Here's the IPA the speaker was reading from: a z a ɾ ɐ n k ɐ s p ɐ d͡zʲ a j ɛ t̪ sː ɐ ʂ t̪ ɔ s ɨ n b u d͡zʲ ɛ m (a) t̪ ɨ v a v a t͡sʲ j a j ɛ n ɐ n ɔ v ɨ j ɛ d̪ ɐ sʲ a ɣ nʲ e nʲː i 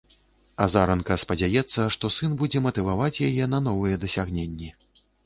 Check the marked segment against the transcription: incorrect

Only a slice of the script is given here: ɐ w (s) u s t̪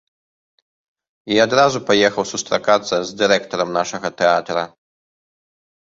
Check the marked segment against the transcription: correct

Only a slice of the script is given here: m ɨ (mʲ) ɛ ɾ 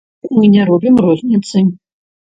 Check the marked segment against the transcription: incorrect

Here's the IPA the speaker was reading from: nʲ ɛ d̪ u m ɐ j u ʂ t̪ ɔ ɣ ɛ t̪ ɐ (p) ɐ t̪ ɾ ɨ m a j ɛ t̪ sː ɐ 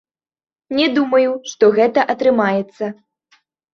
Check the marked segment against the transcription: incorrect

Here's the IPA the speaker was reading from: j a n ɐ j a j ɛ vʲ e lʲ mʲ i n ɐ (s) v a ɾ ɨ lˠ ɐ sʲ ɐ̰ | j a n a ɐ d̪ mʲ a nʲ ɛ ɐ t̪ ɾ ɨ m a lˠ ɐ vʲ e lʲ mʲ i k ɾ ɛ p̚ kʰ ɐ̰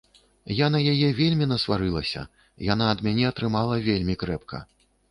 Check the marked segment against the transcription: correct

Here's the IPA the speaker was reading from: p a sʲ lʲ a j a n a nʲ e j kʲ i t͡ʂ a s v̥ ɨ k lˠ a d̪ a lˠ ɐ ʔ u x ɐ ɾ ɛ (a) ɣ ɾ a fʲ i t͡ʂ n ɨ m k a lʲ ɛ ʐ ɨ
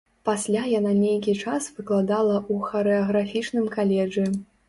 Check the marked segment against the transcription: incorrect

